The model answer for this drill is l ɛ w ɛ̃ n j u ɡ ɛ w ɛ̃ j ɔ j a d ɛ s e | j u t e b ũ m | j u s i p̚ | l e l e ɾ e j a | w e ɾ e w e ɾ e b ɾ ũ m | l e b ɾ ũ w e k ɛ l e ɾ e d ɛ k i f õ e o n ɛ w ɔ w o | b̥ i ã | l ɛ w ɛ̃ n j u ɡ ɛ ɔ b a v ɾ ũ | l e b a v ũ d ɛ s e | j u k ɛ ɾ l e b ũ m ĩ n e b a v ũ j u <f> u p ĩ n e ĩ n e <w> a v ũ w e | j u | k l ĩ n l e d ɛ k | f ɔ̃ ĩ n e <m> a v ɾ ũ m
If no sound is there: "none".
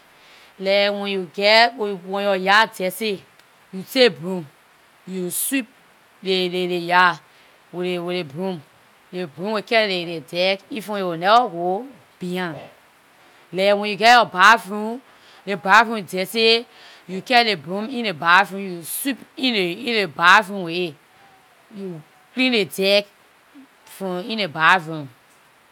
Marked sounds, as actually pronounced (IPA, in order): s, b, b

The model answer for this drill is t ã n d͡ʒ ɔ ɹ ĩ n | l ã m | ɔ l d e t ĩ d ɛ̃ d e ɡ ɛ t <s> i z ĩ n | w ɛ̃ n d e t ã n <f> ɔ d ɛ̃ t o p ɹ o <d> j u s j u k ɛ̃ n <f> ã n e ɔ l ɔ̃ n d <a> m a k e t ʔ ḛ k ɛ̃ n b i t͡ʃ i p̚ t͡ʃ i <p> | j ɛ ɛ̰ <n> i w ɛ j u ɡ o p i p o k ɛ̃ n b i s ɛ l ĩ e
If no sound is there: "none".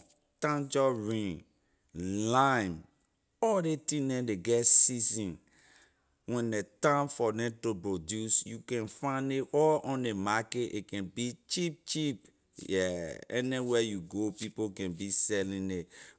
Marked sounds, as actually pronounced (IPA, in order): s, f, d, f, e, p, n

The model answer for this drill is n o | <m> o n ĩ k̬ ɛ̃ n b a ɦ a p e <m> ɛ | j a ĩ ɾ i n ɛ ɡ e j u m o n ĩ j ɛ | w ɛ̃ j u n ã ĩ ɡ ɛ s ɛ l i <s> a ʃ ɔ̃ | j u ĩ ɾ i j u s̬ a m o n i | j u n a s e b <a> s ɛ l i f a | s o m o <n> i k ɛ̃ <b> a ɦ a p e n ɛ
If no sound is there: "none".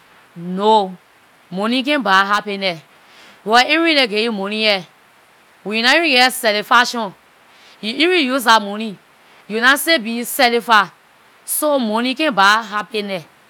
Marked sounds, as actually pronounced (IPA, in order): m, n, f, i, n, b

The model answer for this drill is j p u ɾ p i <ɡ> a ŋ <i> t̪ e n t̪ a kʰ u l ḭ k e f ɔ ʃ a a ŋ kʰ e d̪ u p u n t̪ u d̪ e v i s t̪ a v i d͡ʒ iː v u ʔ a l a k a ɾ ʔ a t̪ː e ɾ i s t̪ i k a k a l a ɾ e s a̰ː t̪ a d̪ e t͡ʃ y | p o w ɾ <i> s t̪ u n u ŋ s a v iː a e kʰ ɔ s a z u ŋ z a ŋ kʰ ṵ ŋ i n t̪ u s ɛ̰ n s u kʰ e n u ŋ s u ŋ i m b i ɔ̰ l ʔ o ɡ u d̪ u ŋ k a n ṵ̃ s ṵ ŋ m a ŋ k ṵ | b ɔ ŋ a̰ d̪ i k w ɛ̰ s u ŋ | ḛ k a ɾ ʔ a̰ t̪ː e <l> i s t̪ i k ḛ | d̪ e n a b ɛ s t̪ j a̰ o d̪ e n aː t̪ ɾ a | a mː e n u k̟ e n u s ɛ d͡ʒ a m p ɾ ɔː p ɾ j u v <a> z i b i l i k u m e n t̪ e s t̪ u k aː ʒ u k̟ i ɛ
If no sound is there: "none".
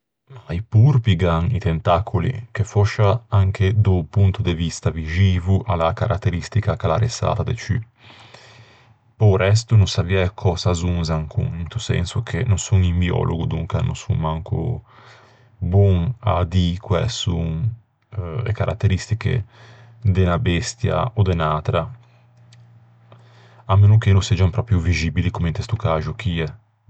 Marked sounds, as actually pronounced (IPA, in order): ɡ, i, ɛ, ɾ, i

